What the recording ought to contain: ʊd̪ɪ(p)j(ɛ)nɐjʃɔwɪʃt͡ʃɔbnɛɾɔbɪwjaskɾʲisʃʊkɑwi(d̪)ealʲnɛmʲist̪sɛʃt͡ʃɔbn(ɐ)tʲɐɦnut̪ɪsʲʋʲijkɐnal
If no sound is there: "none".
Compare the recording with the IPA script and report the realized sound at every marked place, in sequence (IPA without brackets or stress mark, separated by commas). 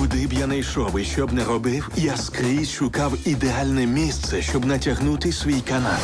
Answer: b, a, d̪, ɐ